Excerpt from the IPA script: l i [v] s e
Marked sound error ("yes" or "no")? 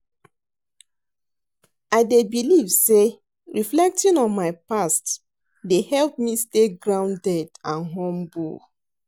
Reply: no